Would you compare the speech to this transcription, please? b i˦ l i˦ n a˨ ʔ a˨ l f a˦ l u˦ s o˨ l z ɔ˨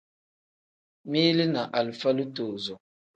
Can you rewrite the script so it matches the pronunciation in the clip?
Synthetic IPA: m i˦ l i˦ n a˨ ʔ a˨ l f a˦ l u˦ t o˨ z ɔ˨